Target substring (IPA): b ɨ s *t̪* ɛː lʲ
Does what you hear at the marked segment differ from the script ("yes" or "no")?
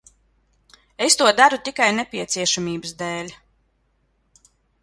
yes